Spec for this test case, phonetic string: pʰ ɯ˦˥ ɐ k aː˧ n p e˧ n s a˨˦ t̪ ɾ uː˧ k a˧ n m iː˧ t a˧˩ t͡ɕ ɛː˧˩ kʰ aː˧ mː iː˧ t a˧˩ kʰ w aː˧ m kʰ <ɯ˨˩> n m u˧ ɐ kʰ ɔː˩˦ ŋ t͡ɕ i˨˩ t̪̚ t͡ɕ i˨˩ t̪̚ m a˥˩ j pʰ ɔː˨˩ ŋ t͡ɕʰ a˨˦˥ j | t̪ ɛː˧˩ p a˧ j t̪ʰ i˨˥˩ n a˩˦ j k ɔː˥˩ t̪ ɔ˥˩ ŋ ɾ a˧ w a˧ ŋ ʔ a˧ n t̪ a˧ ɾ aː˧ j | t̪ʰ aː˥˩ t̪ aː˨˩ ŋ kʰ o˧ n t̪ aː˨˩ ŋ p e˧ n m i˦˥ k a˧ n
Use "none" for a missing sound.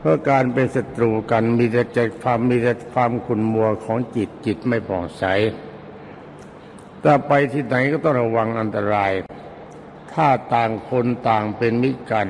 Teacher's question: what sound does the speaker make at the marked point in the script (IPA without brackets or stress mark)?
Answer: u˨˩